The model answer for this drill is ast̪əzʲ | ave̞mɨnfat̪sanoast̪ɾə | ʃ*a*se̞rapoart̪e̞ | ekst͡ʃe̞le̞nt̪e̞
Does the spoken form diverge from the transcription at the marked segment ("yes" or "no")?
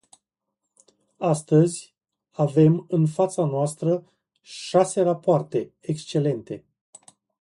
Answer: no